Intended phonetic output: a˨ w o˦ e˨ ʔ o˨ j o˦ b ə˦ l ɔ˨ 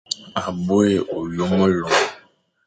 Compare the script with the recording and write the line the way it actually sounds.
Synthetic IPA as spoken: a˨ b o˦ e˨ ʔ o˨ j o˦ m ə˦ l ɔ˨